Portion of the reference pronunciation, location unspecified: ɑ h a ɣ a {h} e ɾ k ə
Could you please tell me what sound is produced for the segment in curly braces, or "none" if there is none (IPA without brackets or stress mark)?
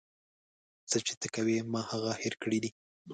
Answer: h